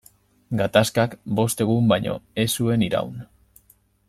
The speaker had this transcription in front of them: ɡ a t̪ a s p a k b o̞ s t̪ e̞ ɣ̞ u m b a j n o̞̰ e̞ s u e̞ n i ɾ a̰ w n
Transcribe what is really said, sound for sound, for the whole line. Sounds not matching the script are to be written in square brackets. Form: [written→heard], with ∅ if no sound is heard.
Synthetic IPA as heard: ɡ a t̪ a s [p→k] a k b o̞ s t̪ e̞ ɣ̞ u m b a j [n→ɲ] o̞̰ e̞ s u e̞ n i ɾ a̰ w n